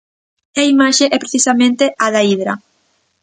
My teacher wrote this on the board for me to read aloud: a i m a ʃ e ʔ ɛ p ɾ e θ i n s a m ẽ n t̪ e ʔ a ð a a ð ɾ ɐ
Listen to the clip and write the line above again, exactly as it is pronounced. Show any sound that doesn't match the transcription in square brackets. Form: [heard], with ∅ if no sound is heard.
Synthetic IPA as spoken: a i m a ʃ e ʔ ɛ p ɾ e θ i [∅] s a m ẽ n t̪ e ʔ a ð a [i] ð ɾ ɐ